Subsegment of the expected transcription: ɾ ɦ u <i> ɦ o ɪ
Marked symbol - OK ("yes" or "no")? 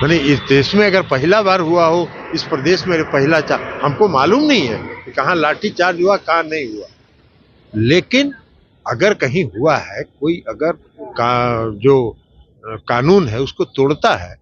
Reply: no